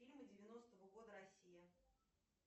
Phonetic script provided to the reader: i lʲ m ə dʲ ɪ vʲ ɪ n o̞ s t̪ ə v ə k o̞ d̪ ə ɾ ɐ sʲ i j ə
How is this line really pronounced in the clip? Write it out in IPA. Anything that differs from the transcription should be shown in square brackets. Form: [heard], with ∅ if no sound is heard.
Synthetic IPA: i lʲ m ə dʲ ɪ vʲ ɪ n o̞ s t̪ ə v ə [ɡ] o̞ d̪ ə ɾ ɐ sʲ i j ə

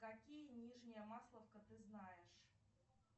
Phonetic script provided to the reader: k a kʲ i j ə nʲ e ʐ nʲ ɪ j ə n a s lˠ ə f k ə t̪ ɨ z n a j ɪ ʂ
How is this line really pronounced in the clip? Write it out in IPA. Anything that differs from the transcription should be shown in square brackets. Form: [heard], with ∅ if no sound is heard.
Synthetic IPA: k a kʲ i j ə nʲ [i] ʐ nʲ ɪ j ə [m] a s lˠ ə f k ə t̪ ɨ z n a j ɪ ʂ

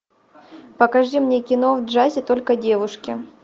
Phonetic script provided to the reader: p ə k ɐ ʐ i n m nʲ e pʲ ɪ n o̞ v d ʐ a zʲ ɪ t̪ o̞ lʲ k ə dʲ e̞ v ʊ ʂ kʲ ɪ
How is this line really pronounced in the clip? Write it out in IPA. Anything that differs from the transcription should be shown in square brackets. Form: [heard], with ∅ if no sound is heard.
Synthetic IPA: p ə k ɐ ʐ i [∅] m nʲ e [kʲ] ɪ n o̞ v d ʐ a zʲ ɪ t̪ o̞ lʲ k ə dʲ e̞ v ʊ ʂ kʲ ɪ

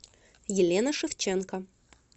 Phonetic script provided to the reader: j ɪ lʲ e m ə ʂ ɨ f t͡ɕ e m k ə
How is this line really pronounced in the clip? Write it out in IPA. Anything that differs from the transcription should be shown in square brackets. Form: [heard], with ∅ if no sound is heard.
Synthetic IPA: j ɪ lʲ e [n] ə ʂ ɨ f t͡ɕ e [n] k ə

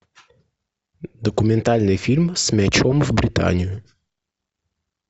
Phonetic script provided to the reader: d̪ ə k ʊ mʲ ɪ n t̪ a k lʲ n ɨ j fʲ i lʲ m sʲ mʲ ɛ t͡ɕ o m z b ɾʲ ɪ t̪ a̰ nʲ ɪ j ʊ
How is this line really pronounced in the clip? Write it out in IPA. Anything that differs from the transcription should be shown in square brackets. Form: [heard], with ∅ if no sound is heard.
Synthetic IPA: d̪ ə k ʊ mʲ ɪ n t̪ a [∅] lʲ n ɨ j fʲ i lʲ m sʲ mʲ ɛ t͡ɕ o m [v] b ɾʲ ɪ t̪ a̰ nʲ ɪ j ʊ

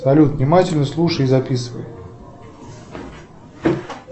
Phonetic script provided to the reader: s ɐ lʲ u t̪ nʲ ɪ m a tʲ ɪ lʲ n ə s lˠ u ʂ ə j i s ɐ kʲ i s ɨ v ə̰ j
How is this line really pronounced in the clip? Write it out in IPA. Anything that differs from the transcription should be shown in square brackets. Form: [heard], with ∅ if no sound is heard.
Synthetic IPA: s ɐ lʲ u t̪ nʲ ɪ m a tʲ ɪ lʲ n ə s lˠ u ʂ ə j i [z] ɐ [pʲ] i s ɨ v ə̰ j

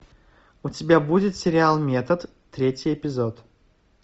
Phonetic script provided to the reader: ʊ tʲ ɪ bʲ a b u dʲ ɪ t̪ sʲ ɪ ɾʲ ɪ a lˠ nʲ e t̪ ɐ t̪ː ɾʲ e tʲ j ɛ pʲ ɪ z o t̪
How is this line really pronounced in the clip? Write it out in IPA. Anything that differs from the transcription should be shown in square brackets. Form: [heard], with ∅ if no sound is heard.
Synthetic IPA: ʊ tʲ ɪ bʲ a b u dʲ ɪ t̪ sʲ ɪ ɾʲ ɪ a lˠ [mʲ] e t̪ [ə] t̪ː ɾʲ e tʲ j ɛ pʲ ɪ z o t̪

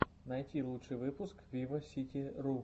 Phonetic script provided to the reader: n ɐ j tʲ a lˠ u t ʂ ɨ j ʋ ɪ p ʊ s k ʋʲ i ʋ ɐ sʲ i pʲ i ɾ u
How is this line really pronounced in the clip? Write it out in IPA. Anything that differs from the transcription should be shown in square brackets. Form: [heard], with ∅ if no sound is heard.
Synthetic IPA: n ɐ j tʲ [i] lˠ u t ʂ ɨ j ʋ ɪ p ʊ s k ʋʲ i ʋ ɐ sʲ i [tʲ] i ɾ u

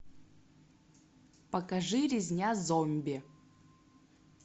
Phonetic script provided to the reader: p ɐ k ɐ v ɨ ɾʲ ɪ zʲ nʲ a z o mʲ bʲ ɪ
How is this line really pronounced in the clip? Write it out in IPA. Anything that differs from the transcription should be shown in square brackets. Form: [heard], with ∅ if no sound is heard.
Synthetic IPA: p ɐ k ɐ [ʐ] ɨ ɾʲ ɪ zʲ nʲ a z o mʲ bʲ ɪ

